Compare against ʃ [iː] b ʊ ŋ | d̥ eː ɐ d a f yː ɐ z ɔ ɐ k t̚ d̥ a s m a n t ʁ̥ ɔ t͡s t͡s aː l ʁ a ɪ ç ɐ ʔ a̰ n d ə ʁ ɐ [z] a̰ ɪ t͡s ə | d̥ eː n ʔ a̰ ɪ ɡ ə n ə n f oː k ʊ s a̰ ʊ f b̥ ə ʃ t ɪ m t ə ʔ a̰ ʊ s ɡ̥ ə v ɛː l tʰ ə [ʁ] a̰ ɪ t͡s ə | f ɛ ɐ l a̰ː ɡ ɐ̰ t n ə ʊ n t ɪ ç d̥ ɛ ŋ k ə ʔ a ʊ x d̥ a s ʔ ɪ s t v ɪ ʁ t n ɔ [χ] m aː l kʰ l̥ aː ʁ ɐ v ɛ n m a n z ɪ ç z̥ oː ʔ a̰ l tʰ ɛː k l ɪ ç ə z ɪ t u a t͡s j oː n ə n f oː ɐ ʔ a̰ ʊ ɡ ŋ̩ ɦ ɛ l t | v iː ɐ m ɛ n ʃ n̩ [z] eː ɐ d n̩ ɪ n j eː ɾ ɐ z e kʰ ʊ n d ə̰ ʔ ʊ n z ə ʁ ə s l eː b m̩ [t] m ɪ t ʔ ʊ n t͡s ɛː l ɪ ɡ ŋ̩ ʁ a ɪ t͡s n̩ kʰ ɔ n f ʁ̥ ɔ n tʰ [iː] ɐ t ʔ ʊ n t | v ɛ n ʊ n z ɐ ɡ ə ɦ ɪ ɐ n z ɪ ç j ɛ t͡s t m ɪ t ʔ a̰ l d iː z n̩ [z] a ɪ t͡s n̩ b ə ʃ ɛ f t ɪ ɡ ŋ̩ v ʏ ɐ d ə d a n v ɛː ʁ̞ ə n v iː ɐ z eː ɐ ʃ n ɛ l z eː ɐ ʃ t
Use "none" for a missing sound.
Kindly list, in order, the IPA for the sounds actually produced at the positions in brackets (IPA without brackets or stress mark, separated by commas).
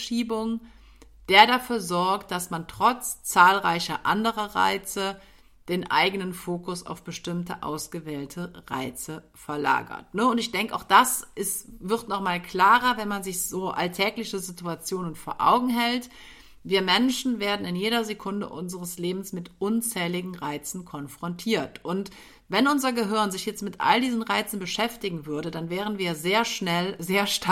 iː, ʁ, ʁ, χ, v, s, iː, ʁ